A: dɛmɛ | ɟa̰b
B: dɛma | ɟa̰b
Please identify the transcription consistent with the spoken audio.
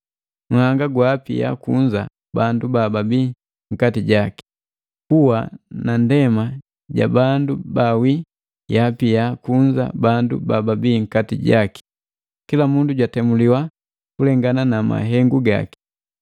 B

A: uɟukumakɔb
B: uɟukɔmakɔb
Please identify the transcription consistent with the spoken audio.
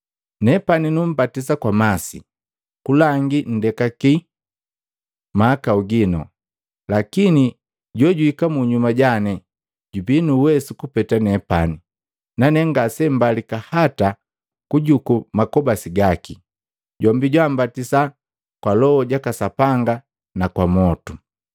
A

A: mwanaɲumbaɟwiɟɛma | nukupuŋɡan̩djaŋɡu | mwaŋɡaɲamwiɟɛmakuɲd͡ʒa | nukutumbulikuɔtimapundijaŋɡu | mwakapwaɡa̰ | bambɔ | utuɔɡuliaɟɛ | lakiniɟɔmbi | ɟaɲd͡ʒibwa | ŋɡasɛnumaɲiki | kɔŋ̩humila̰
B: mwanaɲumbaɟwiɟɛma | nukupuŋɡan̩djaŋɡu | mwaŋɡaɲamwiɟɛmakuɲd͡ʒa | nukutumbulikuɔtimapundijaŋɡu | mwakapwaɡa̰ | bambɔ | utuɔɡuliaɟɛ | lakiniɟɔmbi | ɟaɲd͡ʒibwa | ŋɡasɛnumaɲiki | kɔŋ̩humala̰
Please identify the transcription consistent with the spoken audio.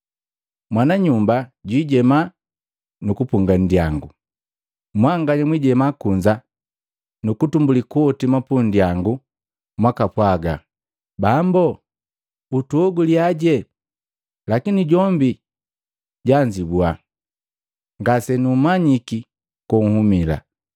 A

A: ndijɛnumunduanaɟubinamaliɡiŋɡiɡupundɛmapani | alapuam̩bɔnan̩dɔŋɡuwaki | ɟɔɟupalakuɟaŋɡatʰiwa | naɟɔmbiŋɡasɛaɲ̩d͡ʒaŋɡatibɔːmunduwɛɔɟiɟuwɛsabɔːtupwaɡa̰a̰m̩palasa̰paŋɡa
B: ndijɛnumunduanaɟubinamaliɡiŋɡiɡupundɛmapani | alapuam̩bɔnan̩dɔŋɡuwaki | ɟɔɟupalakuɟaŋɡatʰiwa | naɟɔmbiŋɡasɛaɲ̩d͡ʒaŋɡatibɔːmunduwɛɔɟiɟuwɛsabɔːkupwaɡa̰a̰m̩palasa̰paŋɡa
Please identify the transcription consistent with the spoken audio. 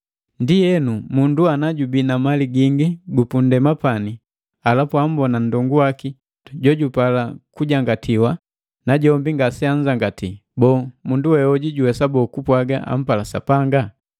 B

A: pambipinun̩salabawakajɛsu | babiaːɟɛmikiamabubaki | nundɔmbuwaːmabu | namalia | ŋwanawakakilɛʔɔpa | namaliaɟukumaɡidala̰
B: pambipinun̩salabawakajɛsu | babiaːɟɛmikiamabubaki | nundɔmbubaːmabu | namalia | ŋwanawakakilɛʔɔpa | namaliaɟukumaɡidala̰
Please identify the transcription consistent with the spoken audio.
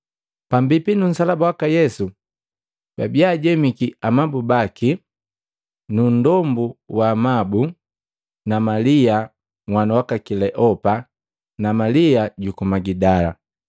A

